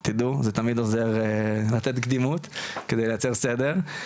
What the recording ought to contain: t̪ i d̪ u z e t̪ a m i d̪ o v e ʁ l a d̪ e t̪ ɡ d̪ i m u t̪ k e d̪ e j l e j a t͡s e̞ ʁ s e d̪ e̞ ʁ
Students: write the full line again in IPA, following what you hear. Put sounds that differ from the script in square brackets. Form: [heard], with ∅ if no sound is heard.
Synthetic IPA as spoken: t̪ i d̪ u z e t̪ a m i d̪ o [z] e ʁ l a [t̪] e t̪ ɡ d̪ i m u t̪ k e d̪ e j l e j a t͡s e̞ ʁ s e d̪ e̞ ʁ